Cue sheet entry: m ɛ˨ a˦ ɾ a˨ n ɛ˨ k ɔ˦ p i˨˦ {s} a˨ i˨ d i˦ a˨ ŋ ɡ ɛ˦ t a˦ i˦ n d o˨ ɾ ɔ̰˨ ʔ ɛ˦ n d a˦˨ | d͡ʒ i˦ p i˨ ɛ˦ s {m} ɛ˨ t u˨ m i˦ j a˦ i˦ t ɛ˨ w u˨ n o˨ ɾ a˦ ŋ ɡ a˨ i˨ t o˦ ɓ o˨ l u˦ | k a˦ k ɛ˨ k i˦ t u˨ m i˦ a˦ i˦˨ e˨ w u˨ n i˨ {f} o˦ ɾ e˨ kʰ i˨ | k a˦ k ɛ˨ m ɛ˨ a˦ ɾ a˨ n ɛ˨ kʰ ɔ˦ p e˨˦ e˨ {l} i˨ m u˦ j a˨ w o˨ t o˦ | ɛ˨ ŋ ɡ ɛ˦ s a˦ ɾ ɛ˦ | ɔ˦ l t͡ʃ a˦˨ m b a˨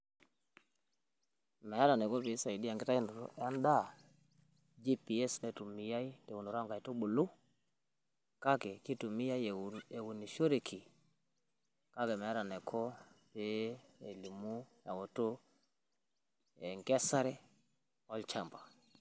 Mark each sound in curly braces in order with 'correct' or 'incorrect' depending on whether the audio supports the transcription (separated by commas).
correct, incorrect, incorrect, correct